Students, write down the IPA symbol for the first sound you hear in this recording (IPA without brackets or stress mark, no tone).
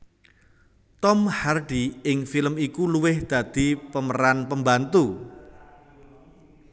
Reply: t̪